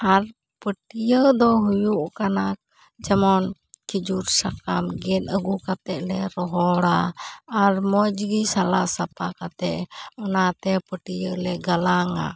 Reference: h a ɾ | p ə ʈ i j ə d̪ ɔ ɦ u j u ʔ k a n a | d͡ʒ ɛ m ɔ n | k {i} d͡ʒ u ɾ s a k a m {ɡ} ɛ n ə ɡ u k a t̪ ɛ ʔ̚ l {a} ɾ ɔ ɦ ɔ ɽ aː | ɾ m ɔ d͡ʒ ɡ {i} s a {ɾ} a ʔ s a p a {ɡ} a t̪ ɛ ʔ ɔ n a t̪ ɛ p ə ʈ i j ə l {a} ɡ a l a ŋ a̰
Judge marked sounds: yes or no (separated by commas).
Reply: yes, yes, no, yes, no, no, no